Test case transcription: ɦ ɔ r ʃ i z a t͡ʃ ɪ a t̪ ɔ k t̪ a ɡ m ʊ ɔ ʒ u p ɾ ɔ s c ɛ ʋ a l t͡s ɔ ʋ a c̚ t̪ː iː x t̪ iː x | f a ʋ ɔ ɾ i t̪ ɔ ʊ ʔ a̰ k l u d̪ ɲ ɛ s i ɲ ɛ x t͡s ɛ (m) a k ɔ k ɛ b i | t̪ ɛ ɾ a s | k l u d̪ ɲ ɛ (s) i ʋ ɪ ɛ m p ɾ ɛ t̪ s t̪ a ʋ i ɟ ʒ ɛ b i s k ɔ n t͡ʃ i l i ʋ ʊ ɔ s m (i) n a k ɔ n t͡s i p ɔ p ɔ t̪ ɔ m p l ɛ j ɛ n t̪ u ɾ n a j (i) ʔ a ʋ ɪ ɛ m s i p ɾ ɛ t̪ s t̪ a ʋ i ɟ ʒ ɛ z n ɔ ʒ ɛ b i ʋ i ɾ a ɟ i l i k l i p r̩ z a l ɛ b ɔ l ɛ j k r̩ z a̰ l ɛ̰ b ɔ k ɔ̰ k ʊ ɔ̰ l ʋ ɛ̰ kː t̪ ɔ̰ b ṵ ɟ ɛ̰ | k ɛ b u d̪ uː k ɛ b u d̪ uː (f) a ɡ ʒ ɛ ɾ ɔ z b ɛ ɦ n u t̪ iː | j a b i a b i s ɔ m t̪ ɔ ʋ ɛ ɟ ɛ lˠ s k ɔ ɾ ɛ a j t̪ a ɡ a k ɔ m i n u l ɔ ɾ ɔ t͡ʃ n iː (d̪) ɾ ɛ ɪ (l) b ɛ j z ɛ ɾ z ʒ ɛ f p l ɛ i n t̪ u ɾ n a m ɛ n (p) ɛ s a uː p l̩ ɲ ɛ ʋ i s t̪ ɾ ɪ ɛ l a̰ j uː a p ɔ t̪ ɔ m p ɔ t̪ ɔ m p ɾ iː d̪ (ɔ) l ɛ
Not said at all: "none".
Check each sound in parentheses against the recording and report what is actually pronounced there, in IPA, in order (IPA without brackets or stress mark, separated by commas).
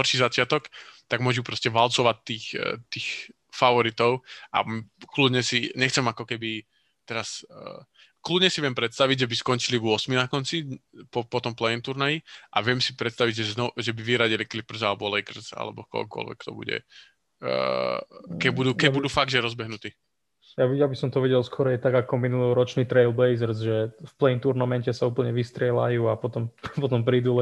m, s, i, i, f, t̪, l, c, u